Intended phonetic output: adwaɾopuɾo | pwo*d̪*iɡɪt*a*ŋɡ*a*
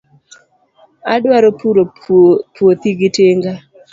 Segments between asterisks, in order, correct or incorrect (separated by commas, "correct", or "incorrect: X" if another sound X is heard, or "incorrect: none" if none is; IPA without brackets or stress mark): incorrect: t̪, incorrect: e, correct